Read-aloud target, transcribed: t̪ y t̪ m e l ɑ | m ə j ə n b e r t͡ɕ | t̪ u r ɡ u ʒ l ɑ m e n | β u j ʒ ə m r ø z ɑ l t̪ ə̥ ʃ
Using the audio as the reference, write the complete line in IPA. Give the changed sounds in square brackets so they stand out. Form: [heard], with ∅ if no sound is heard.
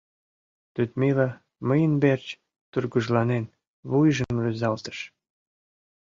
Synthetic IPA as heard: t̪ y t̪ m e l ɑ | m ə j ə n b e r t͡ɕ | t̪ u r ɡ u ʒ l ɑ [n] e n | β u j ʒ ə m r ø z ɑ l t̪ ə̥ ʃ